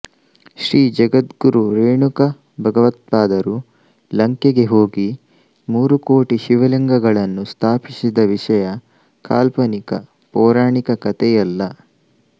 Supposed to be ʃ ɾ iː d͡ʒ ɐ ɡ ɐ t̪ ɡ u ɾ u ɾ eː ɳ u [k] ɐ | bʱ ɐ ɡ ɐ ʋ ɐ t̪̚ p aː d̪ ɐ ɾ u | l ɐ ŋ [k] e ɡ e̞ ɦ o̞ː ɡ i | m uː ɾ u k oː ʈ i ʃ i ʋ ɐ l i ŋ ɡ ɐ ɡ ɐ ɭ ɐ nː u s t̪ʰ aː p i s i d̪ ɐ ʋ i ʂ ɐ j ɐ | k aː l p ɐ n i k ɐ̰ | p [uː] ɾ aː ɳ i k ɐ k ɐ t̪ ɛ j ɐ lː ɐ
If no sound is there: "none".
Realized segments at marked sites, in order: k, k, ɔː

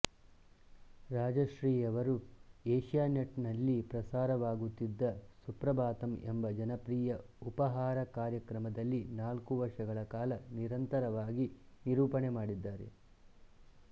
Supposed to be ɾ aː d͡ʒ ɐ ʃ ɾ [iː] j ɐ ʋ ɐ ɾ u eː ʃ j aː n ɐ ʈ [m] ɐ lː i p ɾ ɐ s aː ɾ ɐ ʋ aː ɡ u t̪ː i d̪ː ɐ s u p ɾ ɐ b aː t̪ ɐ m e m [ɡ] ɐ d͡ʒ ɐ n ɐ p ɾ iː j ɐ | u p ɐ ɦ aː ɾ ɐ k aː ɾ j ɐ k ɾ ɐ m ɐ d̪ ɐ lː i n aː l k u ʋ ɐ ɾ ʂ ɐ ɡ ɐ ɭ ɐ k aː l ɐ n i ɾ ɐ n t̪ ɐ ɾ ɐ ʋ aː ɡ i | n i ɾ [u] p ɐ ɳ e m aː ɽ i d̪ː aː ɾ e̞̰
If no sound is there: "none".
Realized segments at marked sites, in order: iː, n, b, uː

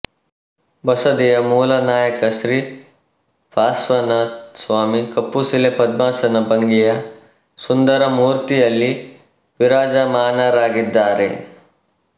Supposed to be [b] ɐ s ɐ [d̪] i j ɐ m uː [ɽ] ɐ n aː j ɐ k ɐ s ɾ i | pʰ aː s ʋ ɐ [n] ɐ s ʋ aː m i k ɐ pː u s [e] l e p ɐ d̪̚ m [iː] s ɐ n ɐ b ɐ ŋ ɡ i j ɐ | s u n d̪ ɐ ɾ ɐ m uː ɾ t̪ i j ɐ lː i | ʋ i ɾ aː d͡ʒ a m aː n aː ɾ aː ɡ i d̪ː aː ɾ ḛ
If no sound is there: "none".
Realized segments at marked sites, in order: b, d̪, l, n, i, aː

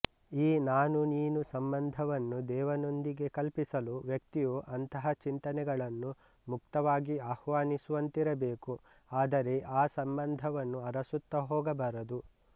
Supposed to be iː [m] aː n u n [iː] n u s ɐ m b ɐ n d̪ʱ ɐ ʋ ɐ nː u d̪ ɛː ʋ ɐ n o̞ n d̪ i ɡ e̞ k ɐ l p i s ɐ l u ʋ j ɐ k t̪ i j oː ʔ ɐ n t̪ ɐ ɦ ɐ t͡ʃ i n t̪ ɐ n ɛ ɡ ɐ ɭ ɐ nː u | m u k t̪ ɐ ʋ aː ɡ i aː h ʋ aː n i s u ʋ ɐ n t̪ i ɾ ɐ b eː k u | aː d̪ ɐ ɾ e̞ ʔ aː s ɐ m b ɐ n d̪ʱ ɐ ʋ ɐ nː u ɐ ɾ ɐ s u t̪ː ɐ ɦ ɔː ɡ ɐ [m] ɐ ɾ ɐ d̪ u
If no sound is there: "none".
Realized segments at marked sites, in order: n, iː, b

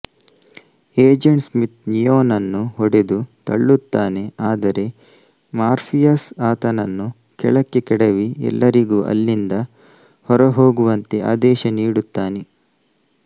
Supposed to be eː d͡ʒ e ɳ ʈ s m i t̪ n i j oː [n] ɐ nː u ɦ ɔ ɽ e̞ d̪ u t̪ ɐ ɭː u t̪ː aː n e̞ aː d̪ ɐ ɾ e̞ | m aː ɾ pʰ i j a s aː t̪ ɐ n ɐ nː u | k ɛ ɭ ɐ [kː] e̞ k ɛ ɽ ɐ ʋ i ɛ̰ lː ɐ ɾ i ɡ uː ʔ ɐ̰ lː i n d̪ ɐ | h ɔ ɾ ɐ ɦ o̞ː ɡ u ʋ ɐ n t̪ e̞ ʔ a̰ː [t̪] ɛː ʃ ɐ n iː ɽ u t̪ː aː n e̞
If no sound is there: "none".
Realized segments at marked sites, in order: n, kː, d̪

